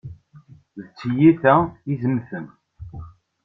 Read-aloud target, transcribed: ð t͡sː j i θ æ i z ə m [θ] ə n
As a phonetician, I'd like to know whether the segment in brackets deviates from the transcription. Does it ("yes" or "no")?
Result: no